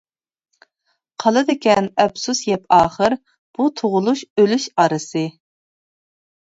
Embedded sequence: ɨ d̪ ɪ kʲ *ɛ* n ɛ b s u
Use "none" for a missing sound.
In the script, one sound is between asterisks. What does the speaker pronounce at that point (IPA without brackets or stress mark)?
ɛ